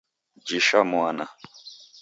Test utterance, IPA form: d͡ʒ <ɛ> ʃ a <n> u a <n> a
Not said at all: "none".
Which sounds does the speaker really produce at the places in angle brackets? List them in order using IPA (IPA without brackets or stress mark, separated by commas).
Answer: i, m, n